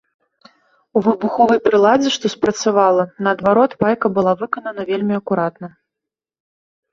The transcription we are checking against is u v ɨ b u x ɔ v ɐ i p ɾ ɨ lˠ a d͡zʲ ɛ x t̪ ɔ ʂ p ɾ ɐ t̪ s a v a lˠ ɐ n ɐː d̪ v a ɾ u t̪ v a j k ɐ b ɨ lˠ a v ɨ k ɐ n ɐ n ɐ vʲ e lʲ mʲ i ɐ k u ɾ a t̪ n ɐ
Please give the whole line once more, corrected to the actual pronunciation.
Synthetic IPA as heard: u v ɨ b u x ɔ v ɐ j p ɾ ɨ lˠ a d͡zʲ ɛ ʂ t̪ ɔ s p ɾ ɐ t̪ s a v a lˠ ɐ n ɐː d̪ v a ɾ ɔ t̪ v a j k ɐ b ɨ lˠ a v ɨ k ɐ n ɐ n ɐ vʲ e lʲ mʲ i ɐ k u ɾ a t̪ n ɐ